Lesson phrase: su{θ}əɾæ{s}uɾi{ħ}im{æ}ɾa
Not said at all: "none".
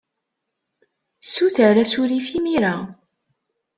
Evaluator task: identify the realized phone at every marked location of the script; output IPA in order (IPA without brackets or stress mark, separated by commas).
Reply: θ, s, f, i